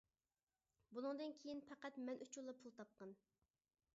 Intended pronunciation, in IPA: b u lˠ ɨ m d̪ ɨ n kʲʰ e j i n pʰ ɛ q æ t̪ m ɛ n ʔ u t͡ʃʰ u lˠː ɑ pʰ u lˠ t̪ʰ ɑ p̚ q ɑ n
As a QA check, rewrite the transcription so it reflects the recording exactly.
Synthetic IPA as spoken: b u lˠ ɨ ŋ d̪ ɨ n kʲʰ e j i n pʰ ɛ q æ t̪ m ɛ n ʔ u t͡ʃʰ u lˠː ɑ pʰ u lˠ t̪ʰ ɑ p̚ q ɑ n